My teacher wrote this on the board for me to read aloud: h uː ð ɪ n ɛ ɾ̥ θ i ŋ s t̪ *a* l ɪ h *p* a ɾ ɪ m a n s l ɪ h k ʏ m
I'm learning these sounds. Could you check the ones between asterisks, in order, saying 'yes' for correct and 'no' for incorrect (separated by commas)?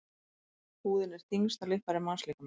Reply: yes, yes